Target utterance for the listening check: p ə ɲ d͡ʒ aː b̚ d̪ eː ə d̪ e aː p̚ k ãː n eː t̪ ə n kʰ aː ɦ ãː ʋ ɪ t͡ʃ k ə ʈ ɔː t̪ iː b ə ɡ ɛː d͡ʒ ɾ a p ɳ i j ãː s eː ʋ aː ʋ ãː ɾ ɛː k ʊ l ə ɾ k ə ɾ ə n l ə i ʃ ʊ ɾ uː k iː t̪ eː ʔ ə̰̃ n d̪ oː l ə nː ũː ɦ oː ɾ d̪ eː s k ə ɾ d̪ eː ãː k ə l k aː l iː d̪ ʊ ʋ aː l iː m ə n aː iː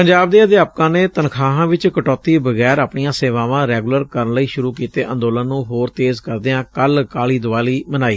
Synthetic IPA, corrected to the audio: p ə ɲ d͡ʒ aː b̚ d̪ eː ə d̪ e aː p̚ k ãː n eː t̪ ə n kʰ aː ɦ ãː ʋ ɪ t͡ʃ k ə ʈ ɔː t̪ iː b ə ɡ ɛː ɾ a p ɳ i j ãː s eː ʋ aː ʋ ãː ɾ ɛː ɡ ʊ l ə ɾ k ə ɾ ə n l ə iː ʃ ʊ ɾ uː k iː t̪ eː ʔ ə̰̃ n d̪ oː l ə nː ũː ɦ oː ɾ t̪ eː z k ə ɾ d̪ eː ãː k ə l k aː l iː d̪ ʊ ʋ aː l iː m ə n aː iː